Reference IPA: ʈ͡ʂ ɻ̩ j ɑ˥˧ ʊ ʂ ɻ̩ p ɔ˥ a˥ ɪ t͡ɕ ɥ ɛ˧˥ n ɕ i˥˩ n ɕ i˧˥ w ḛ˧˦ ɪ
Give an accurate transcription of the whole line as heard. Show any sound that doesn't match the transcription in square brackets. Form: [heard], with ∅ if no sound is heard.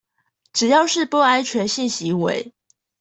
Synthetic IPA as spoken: ʈ͡ʂ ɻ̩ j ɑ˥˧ ʊ ʂ ɻ̩ p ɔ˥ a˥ ɪ [t͡ɕʰ] ɥ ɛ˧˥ n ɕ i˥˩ n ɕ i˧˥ w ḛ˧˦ ɪ